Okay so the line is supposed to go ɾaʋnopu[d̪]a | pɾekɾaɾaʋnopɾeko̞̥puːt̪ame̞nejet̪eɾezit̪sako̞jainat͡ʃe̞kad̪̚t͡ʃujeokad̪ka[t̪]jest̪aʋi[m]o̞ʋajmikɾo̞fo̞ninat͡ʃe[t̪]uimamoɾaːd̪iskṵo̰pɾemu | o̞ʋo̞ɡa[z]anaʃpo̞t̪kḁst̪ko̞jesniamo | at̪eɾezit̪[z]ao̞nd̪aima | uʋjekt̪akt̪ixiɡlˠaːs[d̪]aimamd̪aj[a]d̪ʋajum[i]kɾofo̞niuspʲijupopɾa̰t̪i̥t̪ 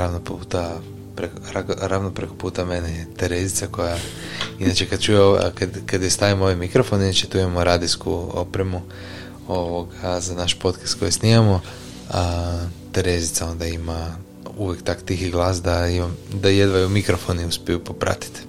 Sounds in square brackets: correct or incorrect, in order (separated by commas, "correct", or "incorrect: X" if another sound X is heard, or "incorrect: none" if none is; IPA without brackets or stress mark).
incorrect: t̪, incorrect: d̪, correct, correct, correct, incorrect: s, correct, incorrect: e, correct